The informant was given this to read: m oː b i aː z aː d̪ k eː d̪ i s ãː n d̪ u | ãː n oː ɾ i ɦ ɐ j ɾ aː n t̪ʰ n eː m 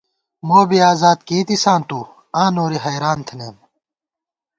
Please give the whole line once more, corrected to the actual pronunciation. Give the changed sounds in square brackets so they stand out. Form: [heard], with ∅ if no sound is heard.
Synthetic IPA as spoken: m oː b i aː z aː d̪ k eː [t̪] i s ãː n [t̪] u | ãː n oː ɾ i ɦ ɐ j ɾ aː n t̪ʰ n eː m